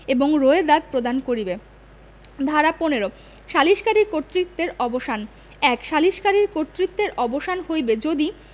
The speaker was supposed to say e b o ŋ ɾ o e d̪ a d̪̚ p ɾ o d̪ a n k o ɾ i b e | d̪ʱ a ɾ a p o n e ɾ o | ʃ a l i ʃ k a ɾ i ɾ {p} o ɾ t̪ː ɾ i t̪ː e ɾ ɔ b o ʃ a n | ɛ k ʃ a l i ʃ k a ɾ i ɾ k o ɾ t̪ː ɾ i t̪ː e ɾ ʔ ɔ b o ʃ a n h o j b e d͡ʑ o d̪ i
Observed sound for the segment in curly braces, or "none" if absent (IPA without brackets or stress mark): k